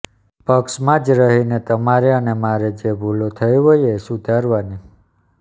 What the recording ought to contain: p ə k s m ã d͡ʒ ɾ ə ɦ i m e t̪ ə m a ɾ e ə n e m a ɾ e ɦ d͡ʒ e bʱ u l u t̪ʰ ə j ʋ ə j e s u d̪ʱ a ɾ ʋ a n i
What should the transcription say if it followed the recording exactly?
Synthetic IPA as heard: p ə k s m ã d͡ʒ ɾ ə ɦ i n e t̪ ə m a ɾ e ə n e m a ɾ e d͡ʒ e bʱ u l o t̪ʰ ə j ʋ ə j e s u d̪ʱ a ɾ ʋ a n i